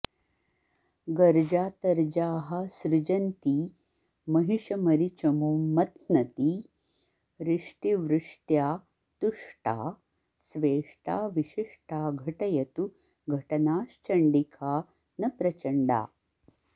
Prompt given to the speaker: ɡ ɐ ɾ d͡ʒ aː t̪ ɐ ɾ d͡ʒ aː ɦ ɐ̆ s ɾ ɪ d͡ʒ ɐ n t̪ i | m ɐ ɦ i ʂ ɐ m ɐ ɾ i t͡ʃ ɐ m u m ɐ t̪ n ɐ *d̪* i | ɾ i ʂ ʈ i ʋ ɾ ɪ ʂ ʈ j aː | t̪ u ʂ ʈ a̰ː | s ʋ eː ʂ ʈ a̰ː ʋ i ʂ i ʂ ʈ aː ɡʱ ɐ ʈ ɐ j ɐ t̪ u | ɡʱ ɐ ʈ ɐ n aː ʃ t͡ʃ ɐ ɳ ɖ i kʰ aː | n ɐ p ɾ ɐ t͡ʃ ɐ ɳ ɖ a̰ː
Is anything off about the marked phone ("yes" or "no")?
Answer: yes